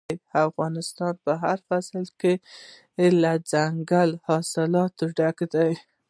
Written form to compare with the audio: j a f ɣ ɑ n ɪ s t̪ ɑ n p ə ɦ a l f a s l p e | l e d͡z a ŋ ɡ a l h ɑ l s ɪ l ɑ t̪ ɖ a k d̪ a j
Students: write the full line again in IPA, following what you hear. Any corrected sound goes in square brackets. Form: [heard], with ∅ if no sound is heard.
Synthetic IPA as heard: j a f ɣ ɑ n ɪ s t̪ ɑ n p ə ɦ a [ɾ] f a s l [k] e | l [a] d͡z a ŋ ɡ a l h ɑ [∅] s ɪ l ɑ t̪ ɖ a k d̪ a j